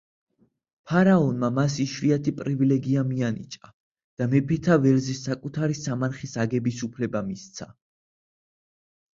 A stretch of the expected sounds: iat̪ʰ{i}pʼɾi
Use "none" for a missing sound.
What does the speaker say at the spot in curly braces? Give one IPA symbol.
i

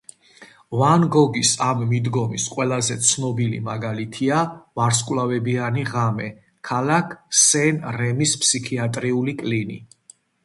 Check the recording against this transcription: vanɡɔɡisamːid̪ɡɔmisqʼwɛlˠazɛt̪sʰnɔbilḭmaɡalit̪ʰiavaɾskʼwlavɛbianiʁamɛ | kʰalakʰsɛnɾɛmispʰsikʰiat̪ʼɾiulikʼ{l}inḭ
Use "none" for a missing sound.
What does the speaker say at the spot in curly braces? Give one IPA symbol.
l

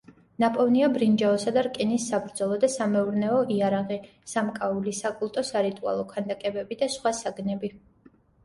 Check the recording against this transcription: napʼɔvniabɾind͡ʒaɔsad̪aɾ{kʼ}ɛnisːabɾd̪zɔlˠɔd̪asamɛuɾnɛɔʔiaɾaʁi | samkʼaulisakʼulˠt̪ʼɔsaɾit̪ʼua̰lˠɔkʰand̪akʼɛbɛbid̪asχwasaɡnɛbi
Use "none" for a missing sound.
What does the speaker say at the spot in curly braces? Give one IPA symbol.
kʼ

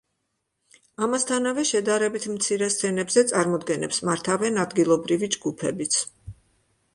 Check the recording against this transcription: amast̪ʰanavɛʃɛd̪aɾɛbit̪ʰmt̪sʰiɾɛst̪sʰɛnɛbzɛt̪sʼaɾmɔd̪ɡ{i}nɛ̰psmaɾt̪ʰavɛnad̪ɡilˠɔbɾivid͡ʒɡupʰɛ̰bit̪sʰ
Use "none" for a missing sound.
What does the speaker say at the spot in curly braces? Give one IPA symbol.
ɛ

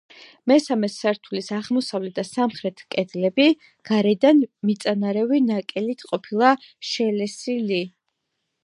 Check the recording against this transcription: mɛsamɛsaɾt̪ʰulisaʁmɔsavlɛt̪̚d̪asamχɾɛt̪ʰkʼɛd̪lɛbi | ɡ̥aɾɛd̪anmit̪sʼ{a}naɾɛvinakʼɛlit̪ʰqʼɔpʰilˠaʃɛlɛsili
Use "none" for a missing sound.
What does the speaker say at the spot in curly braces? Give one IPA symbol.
a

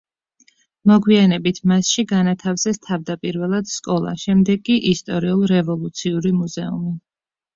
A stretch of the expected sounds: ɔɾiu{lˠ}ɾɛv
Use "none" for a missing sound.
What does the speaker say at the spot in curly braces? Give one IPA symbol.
lˠ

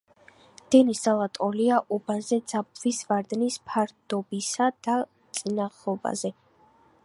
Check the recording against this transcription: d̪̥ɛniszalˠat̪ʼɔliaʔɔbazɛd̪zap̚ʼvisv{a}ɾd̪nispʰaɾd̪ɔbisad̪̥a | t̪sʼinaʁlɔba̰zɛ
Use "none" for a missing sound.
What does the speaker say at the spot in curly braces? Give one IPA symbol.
a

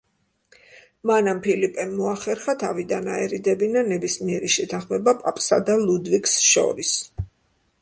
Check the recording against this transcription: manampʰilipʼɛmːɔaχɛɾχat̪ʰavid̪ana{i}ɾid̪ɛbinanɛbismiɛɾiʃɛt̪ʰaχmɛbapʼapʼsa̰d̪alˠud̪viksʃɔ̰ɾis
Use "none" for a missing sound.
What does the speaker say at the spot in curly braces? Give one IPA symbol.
ɛ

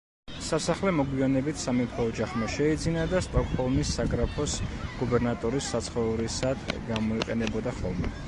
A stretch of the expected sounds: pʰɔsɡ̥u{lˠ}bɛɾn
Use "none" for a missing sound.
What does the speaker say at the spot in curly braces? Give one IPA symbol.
none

